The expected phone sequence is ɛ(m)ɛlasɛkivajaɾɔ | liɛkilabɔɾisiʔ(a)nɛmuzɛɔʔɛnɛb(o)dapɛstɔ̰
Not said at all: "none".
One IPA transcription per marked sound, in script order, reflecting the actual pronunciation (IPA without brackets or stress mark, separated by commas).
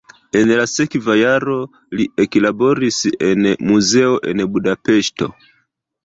n, ɛ, u